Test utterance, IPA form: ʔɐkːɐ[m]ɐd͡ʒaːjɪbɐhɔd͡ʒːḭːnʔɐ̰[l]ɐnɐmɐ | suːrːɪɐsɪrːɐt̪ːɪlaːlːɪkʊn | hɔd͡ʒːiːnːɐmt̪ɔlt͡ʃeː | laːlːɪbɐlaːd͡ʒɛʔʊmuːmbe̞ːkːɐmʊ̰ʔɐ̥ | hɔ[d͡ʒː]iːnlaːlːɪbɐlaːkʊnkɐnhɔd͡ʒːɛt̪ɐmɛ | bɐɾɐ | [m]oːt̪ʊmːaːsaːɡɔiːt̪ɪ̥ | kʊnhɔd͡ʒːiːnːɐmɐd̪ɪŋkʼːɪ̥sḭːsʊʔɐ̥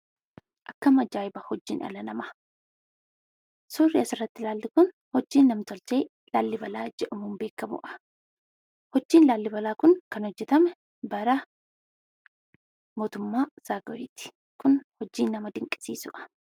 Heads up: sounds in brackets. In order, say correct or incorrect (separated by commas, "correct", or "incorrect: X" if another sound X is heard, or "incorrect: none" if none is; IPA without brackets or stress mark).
correct, correct, correct, correct